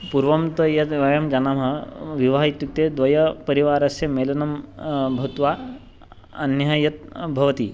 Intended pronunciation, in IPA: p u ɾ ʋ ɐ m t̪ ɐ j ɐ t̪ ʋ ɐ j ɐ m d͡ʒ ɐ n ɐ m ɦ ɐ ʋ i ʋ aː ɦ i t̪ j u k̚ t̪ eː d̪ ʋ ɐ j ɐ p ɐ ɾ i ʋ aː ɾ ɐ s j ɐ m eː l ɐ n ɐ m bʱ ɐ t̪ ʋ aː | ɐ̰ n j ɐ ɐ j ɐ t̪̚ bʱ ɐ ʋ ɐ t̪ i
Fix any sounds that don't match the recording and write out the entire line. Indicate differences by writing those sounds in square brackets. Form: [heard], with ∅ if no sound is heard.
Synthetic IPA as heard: p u ɾ ʋ ɐ m t̪ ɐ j ɐ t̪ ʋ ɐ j ɐ m d͡ʒ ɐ n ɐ m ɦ ɐ ʋ i ʋ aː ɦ i t̪ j u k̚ t̪ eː d̪ ʋ ɐ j ɐ p ɐ ɾ i ʋ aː ɾ ɐ s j ɐ m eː l ɐ n ɐ m bʱ ɐ t̪ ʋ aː | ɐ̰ n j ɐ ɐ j ɐ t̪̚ bʱ ɐ ʋ ɐ t̪ i